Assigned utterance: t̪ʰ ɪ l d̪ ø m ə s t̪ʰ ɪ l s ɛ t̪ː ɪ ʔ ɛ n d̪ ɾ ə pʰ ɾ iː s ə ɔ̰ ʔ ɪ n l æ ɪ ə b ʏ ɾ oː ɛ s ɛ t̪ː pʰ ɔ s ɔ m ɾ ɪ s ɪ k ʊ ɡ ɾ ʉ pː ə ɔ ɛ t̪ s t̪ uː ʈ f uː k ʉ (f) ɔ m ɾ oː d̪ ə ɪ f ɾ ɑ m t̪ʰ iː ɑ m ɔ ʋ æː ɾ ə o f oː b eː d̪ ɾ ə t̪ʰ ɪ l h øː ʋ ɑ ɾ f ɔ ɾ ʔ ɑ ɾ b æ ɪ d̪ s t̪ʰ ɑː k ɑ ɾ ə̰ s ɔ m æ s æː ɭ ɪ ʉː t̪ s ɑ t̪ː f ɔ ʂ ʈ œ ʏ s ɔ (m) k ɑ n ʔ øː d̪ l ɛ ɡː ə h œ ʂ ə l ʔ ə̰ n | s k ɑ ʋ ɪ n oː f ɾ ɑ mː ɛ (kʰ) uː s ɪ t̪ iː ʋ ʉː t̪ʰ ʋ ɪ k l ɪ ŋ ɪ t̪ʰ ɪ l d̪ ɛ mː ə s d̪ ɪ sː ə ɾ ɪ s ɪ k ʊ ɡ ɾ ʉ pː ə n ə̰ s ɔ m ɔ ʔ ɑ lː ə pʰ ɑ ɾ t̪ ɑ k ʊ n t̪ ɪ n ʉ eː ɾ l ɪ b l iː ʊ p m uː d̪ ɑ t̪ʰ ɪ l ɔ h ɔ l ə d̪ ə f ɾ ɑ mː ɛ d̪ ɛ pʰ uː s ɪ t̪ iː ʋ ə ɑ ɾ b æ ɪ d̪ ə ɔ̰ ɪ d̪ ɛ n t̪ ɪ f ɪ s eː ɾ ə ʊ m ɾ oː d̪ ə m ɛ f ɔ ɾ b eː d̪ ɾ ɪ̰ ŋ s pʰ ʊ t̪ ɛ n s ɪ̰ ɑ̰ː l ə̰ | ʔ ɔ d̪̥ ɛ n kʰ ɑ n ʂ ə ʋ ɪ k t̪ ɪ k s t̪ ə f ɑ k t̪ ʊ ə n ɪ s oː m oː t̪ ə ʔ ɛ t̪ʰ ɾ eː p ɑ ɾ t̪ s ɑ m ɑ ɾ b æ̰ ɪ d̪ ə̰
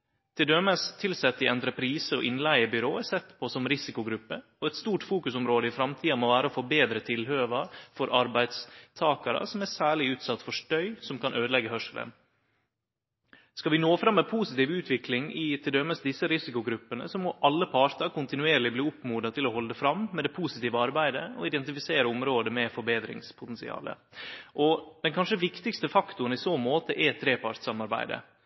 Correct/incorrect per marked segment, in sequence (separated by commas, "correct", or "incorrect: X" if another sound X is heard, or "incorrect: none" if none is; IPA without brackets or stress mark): incorrect: s, correct, incorrect: pʰ